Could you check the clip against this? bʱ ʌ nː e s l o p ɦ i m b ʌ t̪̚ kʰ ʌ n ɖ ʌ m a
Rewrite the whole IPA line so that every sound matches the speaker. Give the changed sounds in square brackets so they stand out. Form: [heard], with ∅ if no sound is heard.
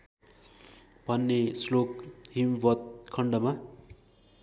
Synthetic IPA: bʱ ʌ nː e s l o [k] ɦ i m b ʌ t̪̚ kʰ ʌ [ɳ] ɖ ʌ m a

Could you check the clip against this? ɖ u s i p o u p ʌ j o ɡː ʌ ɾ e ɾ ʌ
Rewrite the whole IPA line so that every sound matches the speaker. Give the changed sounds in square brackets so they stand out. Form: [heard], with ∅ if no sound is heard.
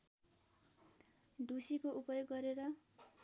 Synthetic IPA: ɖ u s i [k] o u p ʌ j o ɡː ʌ ɾ e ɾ ʌ

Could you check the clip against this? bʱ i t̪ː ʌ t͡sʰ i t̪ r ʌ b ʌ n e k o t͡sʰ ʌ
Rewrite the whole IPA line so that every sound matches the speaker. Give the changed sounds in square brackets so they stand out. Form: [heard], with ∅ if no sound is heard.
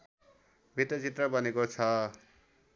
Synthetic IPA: bʱ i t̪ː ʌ [t͡s] i t̪ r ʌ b ʌ n e k o t͡sʰ ʌ

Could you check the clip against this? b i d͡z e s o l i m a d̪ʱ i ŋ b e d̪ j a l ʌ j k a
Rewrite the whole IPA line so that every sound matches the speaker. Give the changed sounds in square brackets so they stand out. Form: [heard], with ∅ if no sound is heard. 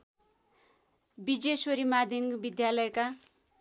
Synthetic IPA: b i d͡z e s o [ɾ] i m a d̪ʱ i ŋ b [i] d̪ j a l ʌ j k a

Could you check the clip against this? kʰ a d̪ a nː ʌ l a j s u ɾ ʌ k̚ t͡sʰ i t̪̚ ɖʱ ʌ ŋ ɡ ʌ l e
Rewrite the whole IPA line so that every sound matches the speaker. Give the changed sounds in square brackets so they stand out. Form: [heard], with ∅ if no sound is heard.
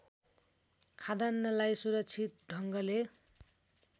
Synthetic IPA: kʰ a d̪ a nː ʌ l a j s u ɾ ʌ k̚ t͡sʰ i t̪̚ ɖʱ ʌ ŋ ɡ ʌ l e

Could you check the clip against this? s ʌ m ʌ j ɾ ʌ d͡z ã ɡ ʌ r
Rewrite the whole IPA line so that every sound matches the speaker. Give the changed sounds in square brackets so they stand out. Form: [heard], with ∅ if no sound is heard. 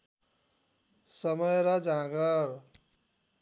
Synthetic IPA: s ʌ m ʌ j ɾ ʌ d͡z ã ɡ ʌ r

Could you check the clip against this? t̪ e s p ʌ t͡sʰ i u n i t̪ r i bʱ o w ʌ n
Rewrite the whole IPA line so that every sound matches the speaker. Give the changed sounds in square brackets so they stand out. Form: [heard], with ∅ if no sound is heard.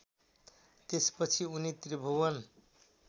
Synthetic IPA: t̪ e s p ʌ t͡sʰ i u n i t̪ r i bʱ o w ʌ n

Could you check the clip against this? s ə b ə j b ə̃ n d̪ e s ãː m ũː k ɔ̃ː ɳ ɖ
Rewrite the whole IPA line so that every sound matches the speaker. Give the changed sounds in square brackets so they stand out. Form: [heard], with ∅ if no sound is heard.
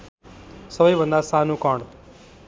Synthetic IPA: s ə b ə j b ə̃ n d̪ [a] s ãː [n] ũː k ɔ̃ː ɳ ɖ

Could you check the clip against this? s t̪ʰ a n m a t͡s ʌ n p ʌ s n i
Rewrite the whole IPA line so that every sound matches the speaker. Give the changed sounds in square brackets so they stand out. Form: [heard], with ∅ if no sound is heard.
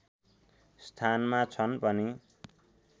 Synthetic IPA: s t̪ʰ a n m a [t͡sʰ] ʌ n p ʌ [∅] n i

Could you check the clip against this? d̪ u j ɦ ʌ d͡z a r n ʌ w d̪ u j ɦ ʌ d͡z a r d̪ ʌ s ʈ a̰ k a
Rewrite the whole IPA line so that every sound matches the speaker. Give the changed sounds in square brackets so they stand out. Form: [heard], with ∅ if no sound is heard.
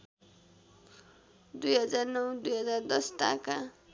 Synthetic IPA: d̪ u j ɦ ʌ d͡z a r n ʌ w d̪ u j ɦ ʌ d͡z a r d̪ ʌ s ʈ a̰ k a

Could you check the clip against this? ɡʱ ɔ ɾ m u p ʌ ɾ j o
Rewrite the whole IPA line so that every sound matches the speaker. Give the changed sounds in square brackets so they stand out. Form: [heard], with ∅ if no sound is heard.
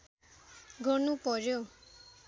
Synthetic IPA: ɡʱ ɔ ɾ [n] u p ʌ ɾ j o

